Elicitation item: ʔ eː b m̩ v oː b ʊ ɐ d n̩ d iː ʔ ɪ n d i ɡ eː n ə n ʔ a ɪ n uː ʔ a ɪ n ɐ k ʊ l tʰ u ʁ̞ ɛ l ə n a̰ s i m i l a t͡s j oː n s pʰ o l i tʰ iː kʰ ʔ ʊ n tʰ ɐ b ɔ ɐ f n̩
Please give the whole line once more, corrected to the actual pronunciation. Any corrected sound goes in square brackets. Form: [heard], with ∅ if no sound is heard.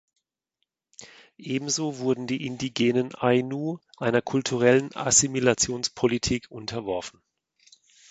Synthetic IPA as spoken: ʔ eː b m̩ [z] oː [v] ʊ ɐ d n̩ d iː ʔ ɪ n d i ɡ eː n ə n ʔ a ɪ n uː ʔ a ɪ n ɐ [kʰ] ʊ l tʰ u ʁ̞ ɛ l ə n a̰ s i m i l a t͡s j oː n s pʰ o l i tʰ iː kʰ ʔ ʊ n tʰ ɐ [v] ɔ ɐ f n̩